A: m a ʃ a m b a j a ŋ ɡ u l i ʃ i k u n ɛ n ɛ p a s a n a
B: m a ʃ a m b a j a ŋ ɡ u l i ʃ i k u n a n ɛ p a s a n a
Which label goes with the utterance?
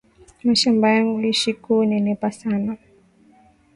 A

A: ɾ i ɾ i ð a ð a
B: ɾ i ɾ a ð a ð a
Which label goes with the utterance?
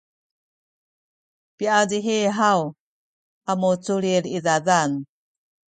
A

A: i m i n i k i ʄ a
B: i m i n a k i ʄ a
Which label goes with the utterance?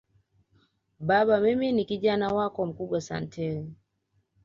A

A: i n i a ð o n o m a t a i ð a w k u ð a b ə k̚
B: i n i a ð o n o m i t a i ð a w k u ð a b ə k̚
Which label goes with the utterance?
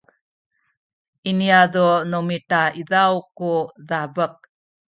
B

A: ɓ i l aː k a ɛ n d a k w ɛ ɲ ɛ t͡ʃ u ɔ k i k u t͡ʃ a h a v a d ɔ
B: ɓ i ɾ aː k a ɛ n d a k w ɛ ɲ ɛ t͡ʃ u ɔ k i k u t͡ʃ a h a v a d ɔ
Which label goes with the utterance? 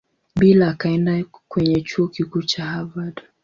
A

